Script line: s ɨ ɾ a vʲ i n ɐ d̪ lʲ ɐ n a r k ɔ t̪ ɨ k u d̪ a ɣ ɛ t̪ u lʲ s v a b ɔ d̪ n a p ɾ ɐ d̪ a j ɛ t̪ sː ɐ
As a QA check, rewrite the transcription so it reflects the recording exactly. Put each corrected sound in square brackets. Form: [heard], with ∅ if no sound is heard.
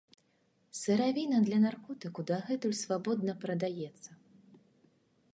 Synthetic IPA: s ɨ ɾ a vʲ i n ɐ d̪ lʲ ɐ n a r k ɔ t̪ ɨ k u d̪ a ɣ ɛ t̪ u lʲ s v a b ɔ d̪ n [ɐ] p ɾ ɐ d̪ a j ɛ t̪ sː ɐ